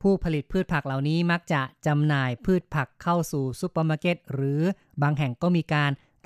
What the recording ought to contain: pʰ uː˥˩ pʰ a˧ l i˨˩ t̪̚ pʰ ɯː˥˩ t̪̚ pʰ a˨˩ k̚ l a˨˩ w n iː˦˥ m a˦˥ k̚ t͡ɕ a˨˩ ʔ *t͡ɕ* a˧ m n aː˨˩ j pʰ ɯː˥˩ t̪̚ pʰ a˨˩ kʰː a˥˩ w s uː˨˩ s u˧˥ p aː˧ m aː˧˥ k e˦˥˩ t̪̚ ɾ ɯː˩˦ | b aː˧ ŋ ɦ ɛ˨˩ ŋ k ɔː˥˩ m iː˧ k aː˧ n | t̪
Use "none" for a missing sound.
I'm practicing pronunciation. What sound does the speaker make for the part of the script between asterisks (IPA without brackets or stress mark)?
t͡ɕ